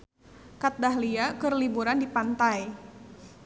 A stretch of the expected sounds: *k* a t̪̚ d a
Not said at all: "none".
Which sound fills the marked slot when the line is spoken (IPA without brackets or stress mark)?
k